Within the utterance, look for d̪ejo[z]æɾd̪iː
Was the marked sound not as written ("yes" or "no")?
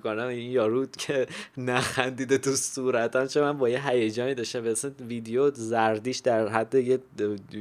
no